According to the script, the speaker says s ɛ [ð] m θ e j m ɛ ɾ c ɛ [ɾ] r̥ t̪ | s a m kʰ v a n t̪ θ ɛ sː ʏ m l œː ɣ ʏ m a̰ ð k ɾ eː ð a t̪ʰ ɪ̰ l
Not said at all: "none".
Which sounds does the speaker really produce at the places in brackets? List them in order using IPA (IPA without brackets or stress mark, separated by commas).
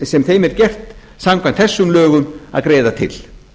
none, none